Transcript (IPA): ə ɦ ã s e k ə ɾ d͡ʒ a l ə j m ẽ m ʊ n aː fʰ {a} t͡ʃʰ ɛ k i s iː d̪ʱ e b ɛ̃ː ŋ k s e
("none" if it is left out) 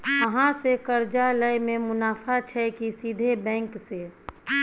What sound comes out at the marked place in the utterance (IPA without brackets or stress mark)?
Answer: a